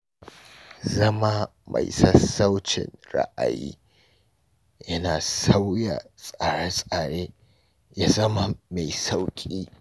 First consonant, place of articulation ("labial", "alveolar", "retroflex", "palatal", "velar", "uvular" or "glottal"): alveolar